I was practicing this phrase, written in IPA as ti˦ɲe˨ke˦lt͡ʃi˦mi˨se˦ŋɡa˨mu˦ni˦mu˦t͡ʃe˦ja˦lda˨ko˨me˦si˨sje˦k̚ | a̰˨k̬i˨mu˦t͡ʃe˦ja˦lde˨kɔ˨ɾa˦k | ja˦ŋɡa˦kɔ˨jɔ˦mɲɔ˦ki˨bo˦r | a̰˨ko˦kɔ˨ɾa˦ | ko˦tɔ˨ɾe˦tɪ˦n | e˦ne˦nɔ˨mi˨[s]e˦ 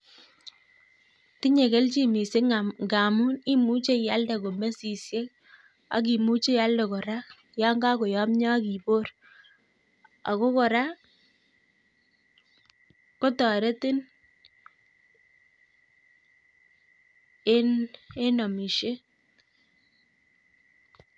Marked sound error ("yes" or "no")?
yes